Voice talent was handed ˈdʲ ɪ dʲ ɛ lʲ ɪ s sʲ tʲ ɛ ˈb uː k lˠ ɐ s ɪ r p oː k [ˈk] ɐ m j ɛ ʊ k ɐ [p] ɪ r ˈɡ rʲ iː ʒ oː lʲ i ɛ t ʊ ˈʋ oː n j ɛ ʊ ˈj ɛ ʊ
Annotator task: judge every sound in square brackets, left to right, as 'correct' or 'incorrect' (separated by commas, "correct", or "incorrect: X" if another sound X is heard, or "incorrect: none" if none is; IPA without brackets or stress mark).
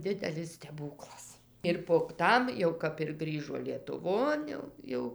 incorrect: t, correct